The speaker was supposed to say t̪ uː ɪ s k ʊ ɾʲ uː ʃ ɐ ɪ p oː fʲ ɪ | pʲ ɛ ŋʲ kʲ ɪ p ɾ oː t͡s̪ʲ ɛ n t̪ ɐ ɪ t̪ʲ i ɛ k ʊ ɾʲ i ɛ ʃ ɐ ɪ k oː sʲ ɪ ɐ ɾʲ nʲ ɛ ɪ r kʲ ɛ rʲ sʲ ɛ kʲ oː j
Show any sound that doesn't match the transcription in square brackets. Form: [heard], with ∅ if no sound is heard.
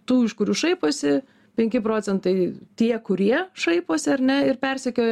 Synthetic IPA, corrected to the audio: t̪ uː ɪ [ʃ] k ʊ ɾʲ uː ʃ ɐ ɪ p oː [sʲ] ɪ | pʲ ɛ ŋʲ kʲ ɪ p ɾ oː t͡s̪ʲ ɛ n t̪ ɐ ɪ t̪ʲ i ɛ k ʊ ɾʲ i ɛ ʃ ɐ ɪ [p] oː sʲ ɪ ɐ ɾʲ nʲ ɛ ɪ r [pʲ] ɛ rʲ sʲ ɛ kʲ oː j